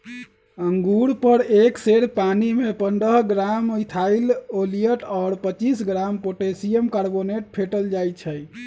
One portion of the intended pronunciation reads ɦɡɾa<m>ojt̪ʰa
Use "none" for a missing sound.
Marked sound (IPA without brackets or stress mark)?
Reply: m